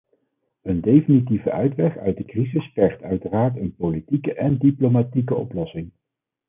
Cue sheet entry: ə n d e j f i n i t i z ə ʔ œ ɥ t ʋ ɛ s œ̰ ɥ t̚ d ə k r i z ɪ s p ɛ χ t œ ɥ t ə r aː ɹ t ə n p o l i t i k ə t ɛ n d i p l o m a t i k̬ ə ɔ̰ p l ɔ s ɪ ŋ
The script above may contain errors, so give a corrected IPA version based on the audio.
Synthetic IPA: ə n d e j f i n i t i v ə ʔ œ ɥ t ʋ ɛ χ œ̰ ɥ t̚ d ə k r i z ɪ s p ɛ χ t œ ɥ t ə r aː ɹ t ə n p o l i t i k ə ʔ ɛ n d i p l o m a t i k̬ ə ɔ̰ p l ɔ s ɪ ŋ